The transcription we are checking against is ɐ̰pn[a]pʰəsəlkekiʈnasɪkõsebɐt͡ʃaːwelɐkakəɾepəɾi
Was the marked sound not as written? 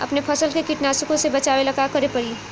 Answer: yes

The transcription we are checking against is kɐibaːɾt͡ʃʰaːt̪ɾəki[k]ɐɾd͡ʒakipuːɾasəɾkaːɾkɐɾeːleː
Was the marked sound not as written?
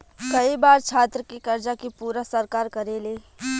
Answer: no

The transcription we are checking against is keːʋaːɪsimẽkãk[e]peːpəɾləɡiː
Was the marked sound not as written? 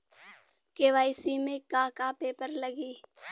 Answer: yes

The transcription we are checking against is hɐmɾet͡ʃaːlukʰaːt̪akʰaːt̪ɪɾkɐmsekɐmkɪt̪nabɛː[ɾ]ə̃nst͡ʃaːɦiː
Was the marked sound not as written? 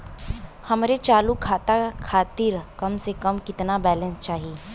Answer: yes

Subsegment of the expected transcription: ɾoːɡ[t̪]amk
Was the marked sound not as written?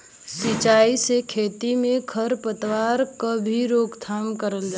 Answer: yes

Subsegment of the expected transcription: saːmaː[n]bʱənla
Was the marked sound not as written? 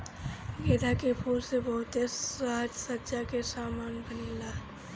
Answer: no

